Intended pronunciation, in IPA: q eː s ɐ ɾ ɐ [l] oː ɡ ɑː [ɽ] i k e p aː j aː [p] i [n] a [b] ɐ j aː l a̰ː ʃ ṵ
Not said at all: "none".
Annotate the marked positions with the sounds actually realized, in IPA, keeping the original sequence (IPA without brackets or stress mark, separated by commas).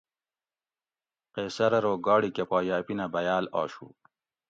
ɾ, ɽ, p, n, b